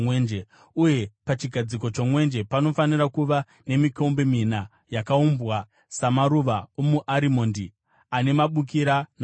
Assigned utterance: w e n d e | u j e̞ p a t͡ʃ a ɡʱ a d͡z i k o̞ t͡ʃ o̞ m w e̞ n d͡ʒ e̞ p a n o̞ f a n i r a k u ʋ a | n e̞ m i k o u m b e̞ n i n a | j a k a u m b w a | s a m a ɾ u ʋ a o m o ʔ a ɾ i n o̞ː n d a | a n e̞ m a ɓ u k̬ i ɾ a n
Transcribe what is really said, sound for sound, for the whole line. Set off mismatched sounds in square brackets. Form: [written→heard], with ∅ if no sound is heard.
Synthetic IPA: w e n [d→d͡ʒ] e | u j e̞ p a t͡ʃ [a→i] ɡʱ a d͡z i k o̞ t͡ʃ o̞ m w e̞ n d͡ʒ e̞ p a n o̞ f a n i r a k u ʋ a | n e̞ m i k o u m b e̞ [n→m] i n a | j a k a u m b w a | s a m a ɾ u ʋ a o m [o→u] ʔ a ɾ i [n→m] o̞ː n d [a→i] | a n e̞ m a ɓ u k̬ i ɾ a n

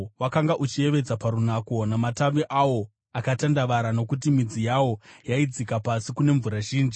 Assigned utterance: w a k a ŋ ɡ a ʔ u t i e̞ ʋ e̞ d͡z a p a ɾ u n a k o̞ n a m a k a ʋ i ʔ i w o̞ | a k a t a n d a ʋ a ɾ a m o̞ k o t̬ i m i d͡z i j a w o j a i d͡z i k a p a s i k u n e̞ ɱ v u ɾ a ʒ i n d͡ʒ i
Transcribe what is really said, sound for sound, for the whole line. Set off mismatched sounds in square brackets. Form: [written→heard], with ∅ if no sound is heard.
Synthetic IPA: w a k a ŋ ɡ a ʔ u [t→t͡ʃ] i e̞ ʋ e̞ d͡z a p a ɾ u n a k o̞ n a m a [k→t] a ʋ i ʔ [i→a] w o̞ | a k a t a n d a ʋ a ɾ a [m→n] o̞ k [o→u] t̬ i m i d͡z i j a w o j a i d͡z i k a p a s i k u n e̞ ɱ v u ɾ a ʒ [i→iː] n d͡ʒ i

